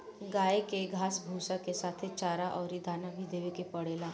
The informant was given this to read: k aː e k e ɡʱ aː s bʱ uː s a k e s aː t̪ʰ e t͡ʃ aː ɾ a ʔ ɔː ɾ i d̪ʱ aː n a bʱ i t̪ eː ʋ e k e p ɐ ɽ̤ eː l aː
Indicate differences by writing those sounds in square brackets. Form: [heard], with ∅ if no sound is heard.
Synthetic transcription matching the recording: [ɡ] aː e k e ɡʱ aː s bʱ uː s a k e s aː t̪ʰ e t͡ʃ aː ɾ a ʔ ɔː ɾ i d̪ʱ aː n a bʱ i [d̪] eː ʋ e k e p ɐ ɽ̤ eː l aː